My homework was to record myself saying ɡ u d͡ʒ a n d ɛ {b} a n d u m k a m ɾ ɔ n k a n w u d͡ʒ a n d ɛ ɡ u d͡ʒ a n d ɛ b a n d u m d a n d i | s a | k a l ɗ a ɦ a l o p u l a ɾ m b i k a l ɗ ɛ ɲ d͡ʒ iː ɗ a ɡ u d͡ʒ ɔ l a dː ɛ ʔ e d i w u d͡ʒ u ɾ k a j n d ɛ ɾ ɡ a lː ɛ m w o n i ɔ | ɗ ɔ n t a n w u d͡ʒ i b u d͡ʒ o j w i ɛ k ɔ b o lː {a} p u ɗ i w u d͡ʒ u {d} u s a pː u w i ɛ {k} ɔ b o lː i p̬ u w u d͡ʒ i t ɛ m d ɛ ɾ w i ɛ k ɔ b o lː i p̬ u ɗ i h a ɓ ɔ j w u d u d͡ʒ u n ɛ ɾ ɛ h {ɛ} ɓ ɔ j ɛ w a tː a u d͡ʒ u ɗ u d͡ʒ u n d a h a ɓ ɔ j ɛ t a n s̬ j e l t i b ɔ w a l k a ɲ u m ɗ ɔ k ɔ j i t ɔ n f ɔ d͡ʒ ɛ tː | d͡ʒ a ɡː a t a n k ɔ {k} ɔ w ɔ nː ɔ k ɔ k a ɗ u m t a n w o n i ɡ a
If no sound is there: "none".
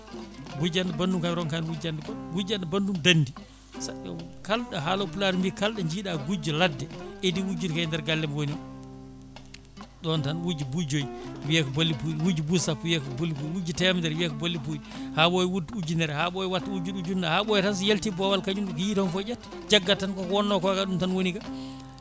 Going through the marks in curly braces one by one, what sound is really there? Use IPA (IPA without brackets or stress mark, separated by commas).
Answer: b, i, b, k, a, k